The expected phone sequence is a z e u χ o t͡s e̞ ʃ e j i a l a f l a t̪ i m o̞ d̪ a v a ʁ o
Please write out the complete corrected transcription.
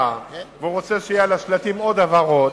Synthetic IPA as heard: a v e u ʁ o t͡s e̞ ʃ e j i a l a ʃ l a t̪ i m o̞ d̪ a v a ʁ o